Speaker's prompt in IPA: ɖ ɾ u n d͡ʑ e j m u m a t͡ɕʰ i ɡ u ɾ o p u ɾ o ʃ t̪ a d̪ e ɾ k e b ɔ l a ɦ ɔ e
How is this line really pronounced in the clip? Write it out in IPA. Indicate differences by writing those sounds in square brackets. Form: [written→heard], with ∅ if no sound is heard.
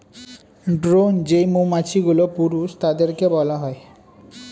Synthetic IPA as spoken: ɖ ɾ [u→o] n d͡ʑ e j m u m a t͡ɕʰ i ɡ u [ɾ→l] o p u ɾ [o→u] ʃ t̪ a d̪ e ɾ k e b ɔ l a ɦ ɔ e